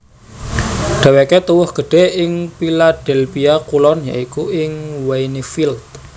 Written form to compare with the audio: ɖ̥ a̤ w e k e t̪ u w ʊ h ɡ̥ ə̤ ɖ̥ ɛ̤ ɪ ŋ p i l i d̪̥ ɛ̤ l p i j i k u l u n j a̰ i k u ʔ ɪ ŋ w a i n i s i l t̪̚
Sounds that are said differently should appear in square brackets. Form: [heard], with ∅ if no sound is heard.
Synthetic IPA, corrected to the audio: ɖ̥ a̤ w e k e t̪ u w ʊ h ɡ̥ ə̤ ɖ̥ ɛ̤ ɪ ŋ p i l [a] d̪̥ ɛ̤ l p i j [a] k u l [ɔ] n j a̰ i k u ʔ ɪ ŋ w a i n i [f] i l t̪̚

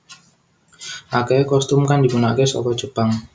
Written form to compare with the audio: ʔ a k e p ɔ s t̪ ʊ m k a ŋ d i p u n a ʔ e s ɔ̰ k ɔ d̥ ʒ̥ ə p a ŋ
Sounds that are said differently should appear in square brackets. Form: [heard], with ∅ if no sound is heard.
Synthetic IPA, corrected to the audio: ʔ a k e [k] ɔ s t̪ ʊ m k a [n] d i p u n a [k] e s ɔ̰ k ɔ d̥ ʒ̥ ə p a ŋ

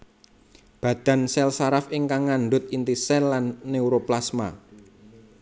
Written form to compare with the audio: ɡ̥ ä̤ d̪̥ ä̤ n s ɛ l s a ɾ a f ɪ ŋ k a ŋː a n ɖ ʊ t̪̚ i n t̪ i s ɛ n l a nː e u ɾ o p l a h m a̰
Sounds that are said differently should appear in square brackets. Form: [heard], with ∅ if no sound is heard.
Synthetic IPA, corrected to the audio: [b̥] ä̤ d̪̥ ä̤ n s ɛ l s a ɾ a f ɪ ŋ k a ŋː a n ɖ ʊ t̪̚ i n t̪ i s ɛ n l a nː e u ɾ o p l a [s] m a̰

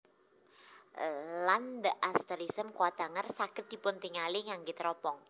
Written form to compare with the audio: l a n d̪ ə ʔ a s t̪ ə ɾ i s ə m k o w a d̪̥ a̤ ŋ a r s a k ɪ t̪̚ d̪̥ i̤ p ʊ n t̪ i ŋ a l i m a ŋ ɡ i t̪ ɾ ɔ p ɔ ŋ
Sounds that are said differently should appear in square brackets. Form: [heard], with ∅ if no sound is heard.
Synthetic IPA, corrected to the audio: l a n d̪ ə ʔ a s t̪ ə ɾ i s ə m k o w a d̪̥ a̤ ŋ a r s a k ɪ t̪̚ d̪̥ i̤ p ʊ n t̪ i ŋ a l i [ŋ] a ŋ ɡ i t̪ ɾ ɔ p ɔ ŋ

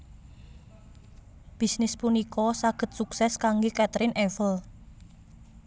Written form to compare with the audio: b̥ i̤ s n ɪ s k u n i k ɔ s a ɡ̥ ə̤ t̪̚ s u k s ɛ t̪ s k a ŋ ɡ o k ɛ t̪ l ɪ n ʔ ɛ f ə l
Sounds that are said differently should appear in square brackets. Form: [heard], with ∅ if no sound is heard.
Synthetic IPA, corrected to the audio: b̥ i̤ s n ɪ s [p] u n i k ɔ s a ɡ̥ ə̤ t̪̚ s u k s ɛ [∅] s k a ŋ ɡ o k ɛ t̪ [ɾ] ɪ n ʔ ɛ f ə l

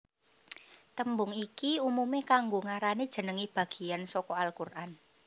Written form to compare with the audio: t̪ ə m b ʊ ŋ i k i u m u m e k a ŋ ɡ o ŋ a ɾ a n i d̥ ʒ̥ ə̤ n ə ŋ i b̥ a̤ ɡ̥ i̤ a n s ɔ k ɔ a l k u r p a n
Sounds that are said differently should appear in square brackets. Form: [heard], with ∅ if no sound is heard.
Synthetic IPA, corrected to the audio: t̪ ə m b ʊ ŋ i k i u m u m e k a ŋ ɡ o ŋ a ɾ a n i d̥ ʒ̥ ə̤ n ə ŋ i b̥ a̤ ɡ̥ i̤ a n s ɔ k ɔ a l k u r [ʔ] a n

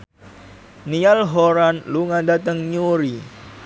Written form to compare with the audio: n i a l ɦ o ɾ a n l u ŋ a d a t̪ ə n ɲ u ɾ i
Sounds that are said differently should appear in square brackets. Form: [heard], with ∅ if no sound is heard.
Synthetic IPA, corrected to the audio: n i a l ɦ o ɾ a n l u ŋ a d a t̪ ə [ŋ] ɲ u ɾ i

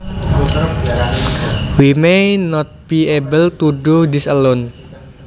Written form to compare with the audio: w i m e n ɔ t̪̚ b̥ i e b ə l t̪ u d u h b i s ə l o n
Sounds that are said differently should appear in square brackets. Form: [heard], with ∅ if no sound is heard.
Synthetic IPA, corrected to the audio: w i m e n ɔ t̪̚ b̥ i e b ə l t̪ u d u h [d] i s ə l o n

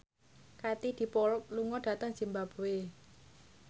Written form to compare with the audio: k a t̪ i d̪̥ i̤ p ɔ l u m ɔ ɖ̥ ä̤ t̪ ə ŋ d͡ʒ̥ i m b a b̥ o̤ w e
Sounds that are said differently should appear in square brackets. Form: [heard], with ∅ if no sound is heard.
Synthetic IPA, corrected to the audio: k a t̪ i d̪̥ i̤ p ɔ l u [ŋ] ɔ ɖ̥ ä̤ t̪ ə ŋ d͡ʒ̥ i m b a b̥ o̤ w e

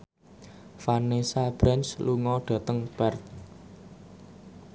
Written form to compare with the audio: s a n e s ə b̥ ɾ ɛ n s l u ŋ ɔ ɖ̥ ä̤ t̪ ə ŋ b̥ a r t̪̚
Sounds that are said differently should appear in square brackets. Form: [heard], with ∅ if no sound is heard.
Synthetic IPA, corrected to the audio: [f] a n e s [a] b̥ ɾ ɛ n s l u ŋ ɔ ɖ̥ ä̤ t̪ ə ŋ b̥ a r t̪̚

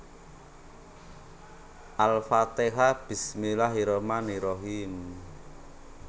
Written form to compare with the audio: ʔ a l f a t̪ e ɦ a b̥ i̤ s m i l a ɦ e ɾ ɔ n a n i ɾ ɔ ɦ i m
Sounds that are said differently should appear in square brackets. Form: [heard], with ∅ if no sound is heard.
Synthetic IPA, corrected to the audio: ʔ a l f a t̪ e ɦ a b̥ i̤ s m i l a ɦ [i] ɾ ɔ [m] a n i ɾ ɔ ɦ i m

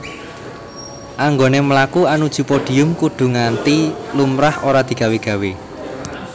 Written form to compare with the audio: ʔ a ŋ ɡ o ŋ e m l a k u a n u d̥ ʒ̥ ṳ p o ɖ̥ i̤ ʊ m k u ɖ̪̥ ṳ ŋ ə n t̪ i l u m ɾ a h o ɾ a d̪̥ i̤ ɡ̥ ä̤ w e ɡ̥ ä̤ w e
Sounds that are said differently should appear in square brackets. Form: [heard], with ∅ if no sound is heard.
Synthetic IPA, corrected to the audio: ʔ a ŋ ɡ o [n] e m l a k u a n u d̥ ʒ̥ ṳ p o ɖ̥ i̤ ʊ m k u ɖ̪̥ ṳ ŋ [a] n t̪ i l u m ɾ a h o ɾ a d̪̥ i̤ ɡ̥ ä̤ w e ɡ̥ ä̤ w e

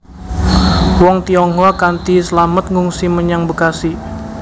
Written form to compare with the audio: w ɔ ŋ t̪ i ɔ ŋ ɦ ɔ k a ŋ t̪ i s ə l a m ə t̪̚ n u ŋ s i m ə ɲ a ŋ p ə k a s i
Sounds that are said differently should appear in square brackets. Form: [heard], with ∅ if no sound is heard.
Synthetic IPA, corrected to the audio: w ɔ ŋ t̪ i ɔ ŋ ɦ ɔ k a [n] t̪ i s ə l a m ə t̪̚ [ŋ] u ŋ s i m ə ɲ a ŋ [b] ə k a s i

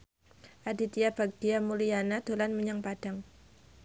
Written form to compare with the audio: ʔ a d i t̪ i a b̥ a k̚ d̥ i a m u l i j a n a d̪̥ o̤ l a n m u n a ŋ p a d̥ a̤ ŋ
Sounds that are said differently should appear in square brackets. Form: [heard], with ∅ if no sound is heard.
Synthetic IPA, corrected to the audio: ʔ a d i t̪ i a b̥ a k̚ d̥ i a m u l i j a n a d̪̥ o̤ l a n m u [ɲ] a ŋ p a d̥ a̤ ŋ

